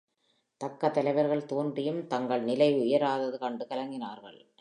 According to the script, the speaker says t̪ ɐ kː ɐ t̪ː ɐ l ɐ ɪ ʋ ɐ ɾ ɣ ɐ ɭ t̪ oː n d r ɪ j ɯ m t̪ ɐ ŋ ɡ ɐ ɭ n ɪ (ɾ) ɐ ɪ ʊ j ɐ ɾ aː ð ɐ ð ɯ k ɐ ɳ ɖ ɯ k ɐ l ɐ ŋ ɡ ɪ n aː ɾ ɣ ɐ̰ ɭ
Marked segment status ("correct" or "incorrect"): incorrect